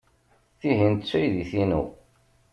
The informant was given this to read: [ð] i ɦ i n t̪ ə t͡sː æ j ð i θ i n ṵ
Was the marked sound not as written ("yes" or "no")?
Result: yes